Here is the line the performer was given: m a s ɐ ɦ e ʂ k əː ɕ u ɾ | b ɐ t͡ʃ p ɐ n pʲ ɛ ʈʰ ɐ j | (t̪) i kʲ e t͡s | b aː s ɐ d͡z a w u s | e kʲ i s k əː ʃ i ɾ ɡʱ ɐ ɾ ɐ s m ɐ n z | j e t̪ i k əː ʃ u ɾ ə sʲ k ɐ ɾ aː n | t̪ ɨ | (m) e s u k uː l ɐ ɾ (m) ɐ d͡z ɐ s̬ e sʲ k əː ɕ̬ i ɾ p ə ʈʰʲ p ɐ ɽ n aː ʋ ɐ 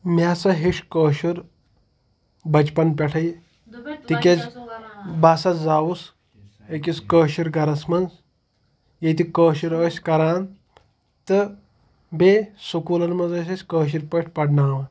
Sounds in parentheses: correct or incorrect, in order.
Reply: correct, incorrect, correct

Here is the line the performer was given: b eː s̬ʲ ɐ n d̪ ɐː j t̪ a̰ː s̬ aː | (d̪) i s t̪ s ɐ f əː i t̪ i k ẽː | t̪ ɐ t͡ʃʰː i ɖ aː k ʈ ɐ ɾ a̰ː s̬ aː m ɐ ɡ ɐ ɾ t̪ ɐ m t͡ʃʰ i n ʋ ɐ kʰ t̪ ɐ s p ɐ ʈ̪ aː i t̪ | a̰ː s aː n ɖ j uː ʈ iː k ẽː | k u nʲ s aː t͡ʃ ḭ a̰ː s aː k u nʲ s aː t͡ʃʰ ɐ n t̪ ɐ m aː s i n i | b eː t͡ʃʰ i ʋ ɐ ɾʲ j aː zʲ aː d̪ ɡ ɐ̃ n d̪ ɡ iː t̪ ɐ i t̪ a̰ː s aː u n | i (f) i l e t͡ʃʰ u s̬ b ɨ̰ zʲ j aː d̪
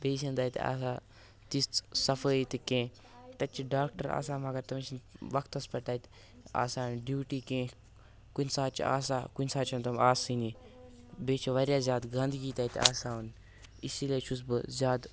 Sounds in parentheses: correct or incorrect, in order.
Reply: incorrect, incorrect

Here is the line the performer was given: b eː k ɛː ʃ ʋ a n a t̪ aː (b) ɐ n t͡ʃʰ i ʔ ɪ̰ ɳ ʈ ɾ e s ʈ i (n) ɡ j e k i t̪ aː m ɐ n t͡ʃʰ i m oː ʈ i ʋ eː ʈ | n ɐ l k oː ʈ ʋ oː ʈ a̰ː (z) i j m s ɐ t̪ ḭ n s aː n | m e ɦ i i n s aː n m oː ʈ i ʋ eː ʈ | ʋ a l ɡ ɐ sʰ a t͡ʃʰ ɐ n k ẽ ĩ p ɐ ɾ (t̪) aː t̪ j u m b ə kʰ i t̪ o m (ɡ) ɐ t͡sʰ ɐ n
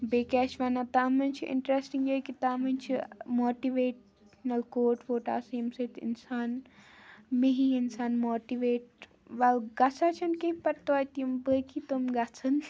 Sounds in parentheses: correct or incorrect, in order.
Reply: incorrect, incorrect, incorrect, correct, correct

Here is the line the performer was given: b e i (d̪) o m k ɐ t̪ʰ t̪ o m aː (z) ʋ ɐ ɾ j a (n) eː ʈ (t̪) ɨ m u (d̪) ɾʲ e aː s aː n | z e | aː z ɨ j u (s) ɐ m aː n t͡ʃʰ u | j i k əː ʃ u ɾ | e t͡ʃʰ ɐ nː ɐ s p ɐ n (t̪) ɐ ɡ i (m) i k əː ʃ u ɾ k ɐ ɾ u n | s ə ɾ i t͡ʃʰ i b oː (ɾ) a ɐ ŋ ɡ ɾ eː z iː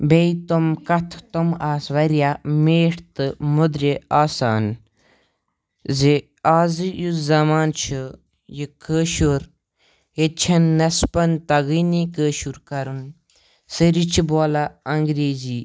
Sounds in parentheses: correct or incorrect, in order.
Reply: incorrect, incorrect, incorrect, correct, correct, incorrect, correct, incorrect, incorrect

